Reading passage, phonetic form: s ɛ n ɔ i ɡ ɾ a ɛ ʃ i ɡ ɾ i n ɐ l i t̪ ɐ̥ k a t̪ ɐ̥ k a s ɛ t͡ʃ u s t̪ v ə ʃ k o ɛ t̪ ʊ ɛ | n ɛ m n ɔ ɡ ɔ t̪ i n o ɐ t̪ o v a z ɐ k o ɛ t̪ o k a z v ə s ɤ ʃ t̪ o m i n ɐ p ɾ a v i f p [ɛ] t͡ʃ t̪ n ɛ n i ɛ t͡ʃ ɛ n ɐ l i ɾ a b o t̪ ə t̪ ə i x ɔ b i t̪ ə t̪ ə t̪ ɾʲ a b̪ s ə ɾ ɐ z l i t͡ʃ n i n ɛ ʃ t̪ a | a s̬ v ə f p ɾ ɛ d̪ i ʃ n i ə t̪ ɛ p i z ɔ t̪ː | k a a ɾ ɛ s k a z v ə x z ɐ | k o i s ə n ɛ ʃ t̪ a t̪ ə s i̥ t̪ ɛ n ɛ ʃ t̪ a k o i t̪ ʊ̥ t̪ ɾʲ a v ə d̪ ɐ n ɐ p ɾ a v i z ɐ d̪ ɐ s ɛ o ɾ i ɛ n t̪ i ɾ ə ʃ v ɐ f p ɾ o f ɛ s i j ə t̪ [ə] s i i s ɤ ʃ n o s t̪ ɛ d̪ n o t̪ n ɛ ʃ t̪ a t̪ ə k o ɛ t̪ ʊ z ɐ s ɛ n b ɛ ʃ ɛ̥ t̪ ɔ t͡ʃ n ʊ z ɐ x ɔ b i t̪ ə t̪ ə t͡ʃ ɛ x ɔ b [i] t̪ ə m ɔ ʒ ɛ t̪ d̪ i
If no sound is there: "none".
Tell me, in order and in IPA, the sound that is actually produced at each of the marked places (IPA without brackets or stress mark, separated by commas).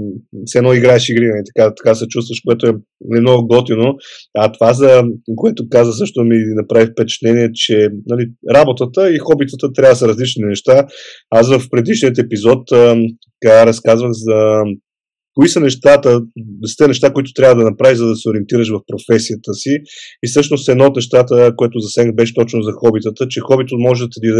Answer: ɛ, ə, i